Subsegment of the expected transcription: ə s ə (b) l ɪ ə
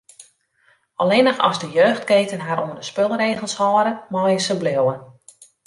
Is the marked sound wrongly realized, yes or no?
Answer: no